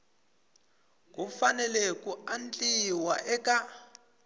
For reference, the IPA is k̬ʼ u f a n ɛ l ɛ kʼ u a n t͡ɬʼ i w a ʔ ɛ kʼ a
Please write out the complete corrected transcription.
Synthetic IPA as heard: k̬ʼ u f a n ɛ l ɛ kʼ u a n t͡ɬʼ i w a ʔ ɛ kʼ a